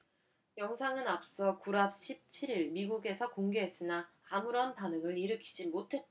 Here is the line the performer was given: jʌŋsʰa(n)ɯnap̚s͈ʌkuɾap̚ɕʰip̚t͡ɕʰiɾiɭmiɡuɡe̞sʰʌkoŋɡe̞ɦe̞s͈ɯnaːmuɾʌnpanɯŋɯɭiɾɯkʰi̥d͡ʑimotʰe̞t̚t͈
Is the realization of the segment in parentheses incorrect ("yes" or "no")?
yes